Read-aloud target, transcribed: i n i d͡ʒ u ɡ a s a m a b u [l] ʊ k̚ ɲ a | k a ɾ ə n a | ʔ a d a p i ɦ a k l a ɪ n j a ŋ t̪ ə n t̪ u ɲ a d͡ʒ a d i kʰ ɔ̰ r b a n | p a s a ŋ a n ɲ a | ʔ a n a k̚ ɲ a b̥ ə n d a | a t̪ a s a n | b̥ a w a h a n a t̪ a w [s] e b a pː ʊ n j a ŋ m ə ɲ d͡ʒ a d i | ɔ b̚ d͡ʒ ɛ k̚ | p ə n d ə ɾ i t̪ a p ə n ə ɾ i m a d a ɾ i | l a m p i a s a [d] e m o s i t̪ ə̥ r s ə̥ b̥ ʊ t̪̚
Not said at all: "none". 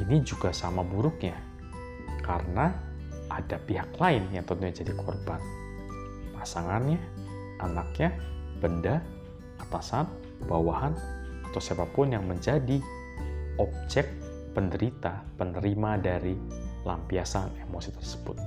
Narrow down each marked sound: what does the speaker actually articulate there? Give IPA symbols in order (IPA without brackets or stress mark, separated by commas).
ɾ, s, n